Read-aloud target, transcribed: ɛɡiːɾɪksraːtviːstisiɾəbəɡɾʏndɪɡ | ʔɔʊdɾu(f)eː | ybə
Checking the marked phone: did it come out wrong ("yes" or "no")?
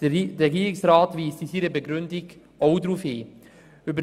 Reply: no